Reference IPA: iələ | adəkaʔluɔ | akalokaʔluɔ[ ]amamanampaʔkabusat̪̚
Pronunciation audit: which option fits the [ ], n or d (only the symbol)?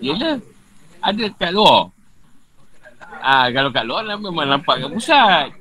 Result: n